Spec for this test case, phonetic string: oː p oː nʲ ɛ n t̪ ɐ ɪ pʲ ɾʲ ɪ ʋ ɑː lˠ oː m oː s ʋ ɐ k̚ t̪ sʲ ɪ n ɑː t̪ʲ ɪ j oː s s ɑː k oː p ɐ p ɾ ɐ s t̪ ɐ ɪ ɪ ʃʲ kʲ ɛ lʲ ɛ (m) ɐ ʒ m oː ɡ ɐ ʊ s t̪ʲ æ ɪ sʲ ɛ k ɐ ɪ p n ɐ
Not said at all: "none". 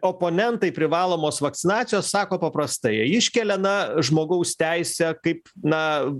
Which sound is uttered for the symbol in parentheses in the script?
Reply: n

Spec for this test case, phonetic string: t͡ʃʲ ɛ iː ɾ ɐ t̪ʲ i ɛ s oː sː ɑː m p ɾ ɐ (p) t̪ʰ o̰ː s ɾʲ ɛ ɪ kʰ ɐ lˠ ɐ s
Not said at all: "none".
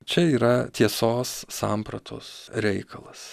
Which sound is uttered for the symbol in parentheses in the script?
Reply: none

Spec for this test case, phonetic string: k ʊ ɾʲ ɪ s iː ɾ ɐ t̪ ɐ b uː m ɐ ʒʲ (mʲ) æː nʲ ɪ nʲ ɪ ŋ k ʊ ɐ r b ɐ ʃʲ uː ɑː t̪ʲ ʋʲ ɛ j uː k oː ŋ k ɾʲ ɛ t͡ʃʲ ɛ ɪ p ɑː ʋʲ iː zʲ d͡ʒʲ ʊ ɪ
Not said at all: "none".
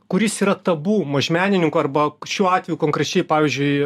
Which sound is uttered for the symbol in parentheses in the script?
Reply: mʲ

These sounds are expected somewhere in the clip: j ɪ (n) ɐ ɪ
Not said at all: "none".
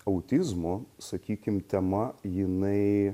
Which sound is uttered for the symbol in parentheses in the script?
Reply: n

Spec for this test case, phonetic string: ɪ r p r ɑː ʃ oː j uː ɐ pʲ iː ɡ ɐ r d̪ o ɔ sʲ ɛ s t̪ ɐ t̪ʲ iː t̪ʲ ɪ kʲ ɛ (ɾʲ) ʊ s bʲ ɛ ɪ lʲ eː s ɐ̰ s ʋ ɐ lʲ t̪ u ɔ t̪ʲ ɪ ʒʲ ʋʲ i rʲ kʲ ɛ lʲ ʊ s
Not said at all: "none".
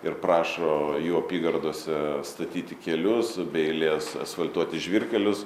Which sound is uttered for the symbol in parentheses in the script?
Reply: lʲ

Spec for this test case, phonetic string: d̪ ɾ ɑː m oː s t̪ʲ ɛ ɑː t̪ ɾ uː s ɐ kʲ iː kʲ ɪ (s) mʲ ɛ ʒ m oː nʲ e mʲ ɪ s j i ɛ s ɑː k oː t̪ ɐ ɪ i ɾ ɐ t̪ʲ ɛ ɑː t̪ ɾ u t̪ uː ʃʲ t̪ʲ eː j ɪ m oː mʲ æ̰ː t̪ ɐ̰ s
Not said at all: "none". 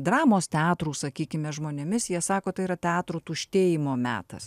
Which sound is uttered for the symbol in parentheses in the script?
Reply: none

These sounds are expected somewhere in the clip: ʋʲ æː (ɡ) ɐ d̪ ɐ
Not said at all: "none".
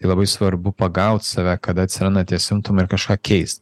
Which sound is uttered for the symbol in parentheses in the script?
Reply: k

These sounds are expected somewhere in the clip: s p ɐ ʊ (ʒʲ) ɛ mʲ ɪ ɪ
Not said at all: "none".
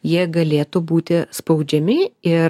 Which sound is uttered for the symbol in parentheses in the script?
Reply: d͡ʒʲ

